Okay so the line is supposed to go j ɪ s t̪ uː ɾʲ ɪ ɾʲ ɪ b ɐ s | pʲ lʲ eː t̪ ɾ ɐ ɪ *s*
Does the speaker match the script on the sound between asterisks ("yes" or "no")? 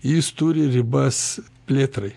no